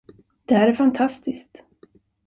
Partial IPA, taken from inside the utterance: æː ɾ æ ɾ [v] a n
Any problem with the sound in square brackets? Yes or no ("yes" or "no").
yes